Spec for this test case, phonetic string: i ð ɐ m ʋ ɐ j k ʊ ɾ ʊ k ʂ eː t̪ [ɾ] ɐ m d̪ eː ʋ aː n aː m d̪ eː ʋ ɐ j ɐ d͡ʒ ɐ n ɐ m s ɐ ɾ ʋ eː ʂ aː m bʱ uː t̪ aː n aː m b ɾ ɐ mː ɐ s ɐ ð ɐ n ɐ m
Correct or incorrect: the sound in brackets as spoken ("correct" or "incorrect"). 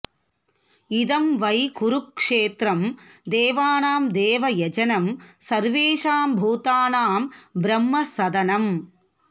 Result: correct